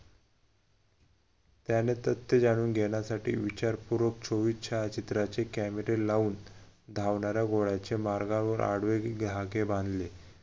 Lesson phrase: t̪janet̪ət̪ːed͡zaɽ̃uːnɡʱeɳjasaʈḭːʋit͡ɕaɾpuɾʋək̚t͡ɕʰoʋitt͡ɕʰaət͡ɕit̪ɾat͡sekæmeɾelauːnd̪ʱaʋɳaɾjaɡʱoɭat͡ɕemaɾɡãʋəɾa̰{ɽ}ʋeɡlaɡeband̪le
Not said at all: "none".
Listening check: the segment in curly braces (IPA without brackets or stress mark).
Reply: ɽ